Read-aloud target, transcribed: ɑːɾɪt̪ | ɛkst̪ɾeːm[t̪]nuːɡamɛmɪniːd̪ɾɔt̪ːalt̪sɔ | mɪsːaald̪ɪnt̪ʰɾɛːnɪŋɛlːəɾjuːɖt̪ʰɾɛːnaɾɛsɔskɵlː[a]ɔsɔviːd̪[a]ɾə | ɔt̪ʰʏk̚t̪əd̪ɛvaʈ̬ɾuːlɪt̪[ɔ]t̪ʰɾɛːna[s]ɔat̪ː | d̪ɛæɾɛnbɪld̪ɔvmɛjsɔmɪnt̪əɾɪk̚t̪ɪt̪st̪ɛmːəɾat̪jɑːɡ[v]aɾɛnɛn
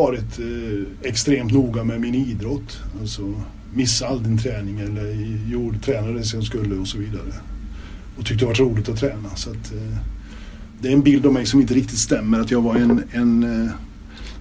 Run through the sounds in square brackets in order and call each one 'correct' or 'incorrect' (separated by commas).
correct, incorrect, correct, correct, correct, correct